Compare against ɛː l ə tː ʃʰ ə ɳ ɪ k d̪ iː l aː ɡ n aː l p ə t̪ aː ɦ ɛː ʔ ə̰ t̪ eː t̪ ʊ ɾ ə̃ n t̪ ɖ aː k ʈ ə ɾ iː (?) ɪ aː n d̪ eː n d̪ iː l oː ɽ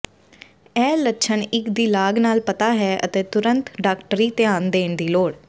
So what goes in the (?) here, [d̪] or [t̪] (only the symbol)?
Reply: t̪